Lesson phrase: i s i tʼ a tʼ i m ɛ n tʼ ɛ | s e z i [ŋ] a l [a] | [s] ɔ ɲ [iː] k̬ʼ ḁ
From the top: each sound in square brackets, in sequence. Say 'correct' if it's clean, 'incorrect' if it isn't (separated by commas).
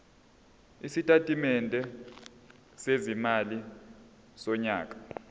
incorrect, incorrect, correct, incorrect